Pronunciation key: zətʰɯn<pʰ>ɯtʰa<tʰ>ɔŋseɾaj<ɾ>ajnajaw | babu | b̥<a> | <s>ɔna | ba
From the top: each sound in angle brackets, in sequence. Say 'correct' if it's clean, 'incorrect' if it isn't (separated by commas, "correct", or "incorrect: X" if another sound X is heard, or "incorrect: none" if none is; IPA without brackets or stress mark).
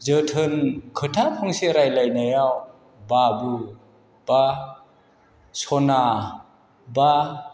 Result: incorrect: kʰ, incorrect: pʰ, incorrect: l, correct, correct